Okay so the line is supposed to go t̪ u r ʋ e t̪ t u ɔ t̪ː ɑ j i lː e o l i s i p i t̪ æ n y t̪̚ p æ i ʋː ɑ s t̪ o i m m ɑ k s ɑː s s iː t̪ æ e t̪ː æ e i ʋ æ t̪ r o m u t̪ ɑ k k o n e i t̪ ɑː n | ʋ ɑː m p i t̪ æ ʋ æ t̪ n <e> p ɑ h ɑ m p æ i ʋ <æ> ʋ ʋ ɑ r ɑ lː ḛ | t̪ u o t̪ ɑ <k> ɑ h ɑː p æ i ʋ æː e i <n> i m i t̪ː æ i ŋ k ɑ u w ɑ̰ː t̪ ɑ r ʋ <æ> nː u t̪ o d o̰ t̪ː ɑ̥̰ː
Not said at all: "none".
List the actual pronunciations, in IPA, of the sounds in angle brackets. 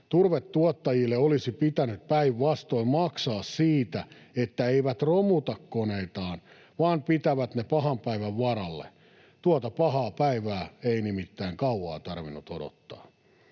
e, æ, p, n, i

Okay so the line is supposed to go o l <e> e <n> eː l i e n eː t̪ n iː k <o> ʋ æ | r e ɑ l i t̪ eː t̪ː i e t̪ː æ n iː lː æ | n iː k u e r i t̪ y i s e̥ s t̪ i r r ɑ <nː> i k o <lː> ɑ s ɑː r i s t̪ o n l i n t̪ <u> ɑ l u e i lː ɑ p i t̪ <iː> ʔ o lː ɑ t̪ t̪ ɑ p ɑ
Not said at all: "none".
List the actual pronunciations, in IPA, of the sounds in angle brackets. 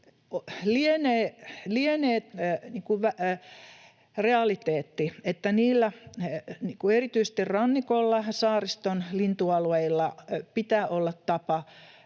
i, n, u, nː, lː, u, æː

